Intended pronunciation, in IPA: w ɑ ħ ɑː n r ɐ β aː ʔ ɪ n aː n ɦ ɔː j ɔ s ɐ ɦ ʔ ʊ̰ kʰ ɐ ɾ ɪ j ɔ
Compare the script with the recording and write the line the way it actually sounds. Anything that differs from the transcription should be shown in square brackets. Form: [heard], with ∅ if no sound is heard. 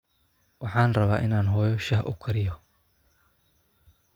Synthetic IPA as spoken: w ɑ ħ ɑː n r ɐ β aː ʔ ɪ n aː n ɦ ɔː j ɔ [ʃ] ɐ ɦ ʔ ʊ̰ kʰ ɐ ɾ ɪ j ɔ